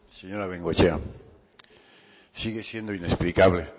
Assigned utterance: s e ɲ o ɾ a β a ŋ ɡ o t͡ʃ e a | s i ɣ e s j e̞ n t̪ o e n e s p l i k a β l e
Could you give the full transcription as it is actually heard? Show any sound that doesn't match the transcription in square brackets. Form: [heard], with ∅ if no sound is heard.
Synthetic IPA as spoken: s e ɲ o ɾ a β [e] ŋ ɡ o t͡ʃ e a | s i ɣ e s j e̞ n [d̪] o [i] n e s p l i k a β l e